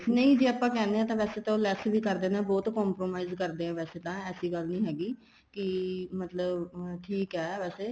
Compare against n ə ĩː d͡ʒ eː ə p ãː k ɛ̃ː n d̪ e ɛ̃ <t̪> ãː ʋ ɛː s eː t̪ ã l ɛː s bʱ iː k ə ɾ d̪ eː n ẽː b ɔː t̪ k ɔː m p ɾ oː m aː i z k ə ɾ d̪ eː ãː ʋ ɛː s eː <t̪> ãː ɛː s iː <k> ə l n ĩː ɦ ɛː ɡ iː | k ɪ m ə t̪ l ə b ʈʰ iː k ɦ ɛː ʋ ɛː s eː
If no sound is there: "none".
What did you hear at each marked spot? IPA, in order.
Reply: t̪, t̪, ɡ

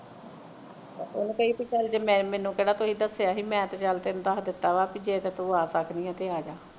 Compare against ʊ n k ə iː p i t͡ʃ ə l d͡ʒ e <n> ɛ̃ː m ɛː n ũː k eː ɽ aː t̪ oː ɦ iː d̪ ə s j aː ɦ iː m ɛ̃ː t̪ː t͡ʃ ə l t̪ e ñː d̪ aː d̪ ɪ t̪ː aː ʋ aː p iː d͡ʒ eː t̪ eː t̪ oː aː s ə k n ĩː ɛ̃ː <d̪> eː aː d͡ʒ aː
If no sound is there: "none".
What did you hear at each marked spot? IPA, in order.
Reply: m, t̪

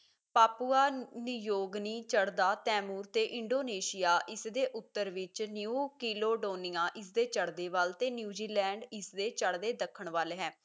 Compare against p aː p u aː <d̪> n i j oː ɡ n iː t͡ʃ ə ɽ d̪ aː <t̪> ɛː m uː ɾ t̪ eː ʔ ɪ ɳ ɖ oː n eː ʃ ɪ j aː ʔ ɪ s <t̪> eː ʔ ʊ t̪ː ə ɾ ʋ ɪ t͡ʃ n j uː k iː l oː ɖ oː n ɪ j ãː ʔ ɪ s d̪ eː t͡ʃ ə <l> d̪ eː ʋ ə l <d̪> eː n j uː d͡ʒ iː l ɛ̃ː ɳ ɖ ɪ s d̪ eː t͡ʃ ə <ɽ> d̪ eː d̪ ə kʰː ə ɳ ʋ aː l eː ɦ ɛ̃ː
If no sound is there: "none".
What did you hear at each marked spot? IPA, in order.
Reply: none, t̪, d̪, ɽ, t̪, ɽ

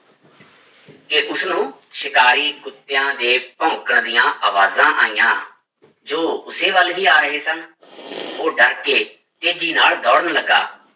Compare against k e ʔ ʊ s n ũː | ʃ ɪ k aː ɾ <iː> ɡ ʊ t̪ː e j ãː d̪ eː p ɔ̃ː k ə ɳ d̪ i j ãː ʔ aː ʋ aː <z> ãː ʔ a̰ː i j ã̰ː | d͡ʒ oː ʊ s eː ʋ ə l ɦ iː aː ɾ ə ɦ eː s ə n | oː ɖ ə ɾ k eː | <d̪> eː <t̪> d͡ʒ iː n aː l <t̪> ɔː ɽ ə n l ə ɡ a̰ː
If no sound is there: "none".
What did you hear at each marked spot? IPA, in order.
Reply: iː, z, t̪, none, d̪

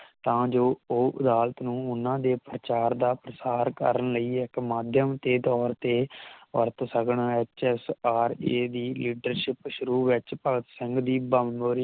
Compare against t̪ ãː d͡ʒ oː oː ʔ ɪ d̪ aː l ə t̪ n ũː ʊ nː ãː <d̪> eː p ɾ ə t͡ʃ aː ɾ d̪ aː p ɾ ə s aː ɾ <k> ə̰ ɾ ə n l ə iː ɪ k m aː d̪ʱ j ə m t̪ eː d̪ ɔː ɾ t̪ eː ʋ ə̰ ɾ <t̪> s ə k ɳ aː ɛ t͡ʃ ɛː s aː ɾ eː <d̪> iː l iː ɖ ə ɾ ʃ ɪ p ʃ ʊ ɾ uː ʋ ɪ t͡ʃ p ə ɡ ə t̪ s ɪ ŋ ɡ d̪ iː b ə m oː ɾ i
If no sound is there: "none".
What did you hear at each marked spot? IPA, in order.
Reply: d̪, k, t̪, d̪

